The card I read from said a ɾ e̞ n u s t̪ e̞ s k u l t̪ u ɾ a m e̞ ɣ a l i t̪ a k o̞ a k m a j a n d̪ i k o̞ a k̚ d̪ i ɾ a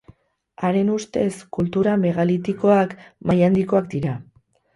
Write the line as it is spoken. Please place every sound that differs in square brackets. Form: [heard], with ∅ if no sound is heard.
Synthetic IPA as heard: a ɾ e̞ n u s t̪ e̞ s k u l t̪ u ɾ a m e̞ ɣ a l i t̪ [i] k o̞ a k m a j a n d̪ i k o̞ a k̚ d̪ i ɾ a